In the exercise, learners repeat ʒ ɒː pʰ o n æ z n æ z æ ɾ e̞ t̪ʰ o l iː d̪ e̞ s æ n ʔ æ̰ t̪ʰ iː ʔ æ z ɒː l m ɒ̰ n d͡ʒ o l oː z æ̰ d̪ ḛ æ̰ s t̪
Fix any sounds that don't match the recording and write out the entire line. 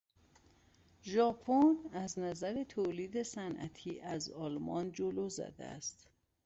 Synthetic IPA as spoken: ʒ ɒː pʰ o n æ z n æ z æ ɾ e̞ t̪ʰ o l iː d̪ e̞ s æ n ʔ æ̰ t̪ʰ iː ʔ æ z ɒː l m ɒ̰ n d͡ʒ o l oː z æ̰ d̪ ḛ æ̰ s t̪